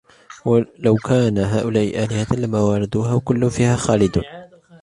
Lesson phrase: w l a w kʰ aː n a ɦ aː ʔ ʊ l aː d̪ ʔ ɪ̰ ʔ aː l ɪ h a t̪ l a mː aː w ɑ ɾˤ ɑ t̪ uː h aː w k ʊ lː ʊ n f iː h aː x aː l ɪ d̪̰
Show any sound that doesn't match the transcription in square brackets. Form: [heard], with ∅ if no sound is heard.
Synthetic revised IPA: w l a w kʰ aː n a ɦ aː ʔ ʊ l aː [∅] ʔ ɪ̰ ʔ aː l ɪ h a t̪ l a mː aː w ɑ ɾˤ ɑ [d̪] uː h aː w k ʊ lː ʊ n f iː h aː x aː l ɪ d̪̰